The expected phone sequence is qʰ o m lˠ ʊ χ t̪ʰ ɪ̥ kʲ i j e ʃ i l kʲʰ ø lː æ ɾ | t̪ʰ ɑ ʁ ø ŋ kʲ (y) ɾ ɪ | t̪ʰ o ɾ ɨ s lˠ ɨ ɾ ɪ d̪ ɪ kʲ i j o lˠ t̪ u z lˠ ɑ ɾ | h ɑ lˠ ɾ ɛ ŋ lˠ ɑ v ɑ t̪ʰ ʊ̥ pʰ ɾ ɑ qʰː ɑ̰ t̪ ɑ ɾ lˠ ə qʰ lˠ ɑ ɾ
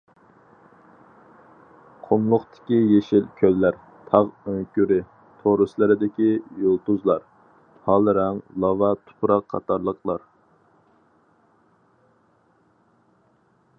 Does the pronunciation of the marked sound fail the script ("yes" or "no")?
no